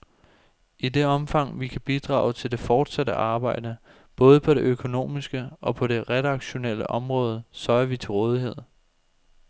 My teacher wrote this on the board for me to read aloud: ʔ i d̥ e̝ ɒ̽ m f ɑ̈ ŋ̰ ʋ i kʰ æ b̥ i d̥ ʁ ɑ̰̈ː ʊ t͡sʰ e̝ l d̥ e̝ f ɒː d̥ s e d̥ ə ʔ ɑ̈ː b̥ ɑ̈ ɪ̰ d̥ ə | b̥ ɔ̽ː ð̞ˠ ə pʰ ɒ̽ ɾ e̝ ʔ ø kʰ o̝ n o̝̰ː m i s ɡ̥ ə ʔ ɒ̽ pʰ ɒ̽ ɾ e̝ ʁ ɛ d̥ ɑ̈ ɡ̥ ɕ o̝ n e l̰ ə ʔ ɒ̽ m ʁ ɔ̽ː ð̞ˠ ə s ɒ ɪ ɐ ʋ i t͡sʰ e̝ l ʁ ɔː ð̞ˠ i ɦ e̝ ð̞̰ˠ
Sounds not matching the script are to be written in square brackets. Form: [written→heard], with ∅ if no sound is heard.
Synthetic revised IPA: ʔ i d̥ e̝ ɒ̽ m f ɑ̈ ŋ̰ ʋ i kʰ æ b̥ i d̥ ʁ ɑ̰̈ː ʊ t͡sʰ e̝ l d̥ e̝ f ɒː d̥ s [e→æ] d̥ ə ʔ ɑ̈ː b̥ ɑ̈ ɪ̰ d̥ ə | b̥ ɔ̽ː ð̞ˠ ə pʰ ɒ̽ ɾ e̝ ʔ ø kʰ o̝ n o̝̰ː m i s ɡ̥ ə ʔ ɒ̽ pʰ ɒ̽ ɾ e̝ ʁ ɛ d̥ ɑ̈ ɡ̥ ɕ o̝ n e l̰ ə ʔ ɒ̽ m ʁ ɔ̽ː ð̞ˠ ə s ɒ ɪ ɐ ʋ i t͡sʰ e̝ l ʁ ɔː ð̞ˠ i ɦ e̝ ð̞̰ˠ